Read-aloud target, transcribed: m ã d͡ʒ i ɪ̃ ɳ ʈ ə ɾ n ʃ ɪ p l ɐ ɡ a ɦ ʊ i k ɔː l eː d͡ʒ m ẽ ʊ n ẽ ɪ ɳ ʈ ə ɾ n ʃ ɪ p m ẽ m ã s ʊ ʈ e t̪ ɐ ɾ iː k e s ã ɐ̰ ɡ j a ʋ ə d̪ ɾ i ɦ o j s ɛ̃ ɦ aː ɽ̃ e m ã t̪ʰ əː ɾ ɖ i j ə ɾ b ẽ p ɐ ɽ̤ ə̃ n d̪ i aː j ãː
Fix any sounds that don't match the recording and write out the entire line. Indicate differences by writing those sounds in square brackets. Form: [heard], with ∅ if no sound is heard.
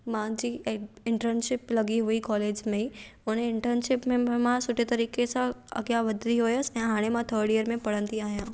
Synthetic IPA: m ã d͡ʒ i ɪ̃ ɳ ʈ ə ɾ n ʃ ɪ p l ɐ ɡ [i] ɦ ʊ i k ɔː l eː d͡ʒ m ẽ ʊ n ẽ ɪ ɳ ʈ ə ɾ n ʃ ɪ p m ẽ m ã s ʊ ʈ e t̪ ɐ ɾ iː k e s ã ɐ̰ ɡ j a ʋ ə d̪ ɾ i ɦ o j s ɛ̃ ɦ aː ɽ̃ e m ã t̪ʰ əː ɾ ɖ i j ə ɾ [m] ẽ p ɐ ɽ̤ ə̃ n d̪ i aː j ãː